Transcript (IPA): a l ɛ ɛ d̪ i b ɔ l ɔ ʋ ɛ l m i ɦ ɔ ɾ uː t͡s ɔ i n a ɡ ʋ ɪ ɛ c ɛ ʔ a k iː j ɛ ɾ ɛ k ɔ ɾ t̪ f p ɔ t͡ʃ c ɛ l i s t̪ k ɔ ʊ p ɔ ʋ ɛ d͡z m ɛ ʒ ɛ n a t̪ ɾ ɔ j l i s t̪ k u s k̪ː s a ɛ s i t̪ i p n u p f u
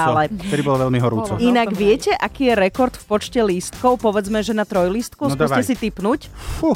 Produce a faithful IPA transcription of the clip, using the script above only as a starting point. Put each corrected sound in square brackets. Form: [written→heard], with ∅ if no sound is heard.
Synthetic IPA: a l ɛ ɛ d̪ i b ɔ l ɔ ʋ ɛ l m i ɦ ɔ ɾ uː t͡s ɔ i n a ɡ ʋ ɪ ɛ c ɛ ʔ a k iː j ɛ ɾ ɛ k ɔ ɾ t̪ f p ɔ t͡ʃ c ɛ l i s t̪ k ɔ ʊ p ɔ ʋ ɛ d͡z m ɛ ʒ ɛ n a t̪ ɾ ɔ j l i s t̪ k u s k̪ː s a ɛ s i t̪ i p n u [p→c] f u